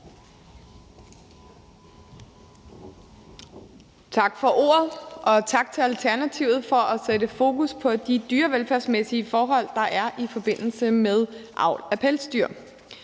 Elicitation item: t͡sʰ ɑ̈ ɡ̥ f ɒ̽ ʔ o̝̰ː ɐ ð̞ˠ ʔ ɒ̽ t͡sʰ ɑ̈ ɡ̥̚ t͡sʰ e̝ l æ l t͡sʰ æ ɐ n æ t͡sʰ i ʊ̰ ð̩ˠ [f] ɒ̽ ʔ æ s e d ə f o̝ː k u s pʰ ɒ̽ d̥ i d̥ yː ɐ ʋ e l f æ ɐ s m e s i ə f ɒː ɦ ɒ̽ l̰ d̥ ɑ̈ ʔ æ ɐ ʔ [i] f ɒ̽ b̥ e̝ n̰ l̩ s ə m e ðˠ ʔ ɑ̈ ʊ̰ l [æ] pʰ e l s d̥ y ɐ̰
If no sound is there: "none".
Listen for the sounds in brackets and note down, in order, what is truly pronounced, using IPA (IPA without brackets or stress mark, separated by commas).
f, i, æ